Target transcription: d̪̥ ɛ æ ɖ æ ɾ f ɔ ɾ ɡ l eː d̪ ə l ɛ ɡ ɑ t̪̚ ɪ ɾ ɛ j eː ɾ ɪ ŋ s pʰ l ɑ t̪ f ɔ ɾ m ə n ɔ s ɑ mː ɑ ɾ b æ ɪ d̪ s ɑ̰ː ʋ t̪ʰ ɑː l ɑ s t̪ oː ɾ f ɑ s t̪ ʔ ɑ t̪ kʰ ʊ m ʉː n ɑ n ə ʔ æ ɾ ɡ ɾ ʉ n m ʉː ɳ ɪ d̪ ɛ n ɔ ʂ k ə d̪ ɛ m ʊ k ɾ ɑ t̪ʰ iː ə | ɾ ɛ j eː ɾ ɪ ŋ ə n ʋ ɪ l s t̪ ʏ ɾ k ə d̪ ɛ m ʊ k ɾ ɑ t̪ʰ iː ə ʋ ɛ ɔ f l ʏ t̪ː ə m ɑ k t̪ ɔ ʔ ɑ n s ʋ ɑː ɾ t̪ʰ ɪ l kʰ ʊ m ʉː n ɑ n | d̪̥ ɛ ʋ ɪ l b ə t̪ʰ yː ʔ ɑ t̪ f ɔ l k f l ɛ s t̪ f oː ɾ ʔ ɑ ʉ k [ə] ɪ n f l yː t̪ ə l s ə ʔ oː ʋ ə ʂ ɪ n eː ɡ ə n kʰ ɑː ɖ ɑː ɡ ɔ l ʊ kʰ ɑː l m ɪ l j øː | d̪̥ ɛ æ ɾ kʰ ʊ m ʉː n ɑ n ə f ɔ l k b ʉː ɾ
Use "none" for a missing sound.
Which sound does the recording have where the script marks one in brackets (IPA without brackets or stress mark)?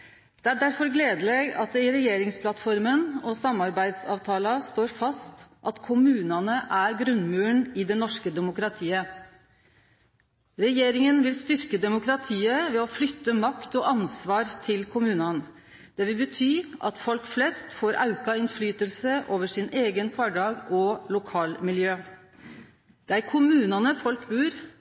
ɑ